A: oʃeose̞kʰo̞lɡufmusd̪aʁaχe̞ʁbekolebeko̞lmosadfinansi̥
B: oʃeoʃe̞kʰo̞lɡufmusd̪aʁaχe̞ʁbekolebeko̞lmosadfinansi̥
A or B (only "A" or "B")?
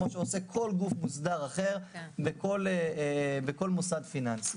A